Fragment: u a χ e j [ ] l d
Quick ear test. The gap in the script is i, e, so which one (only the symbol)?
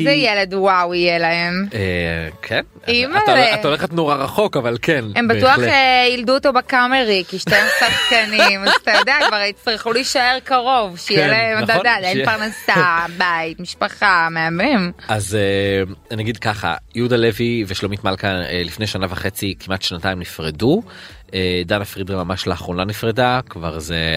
i